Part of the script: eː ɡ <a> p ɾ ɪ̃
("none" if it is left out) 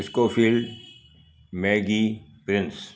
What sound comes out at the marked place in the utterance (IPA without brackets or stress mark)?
i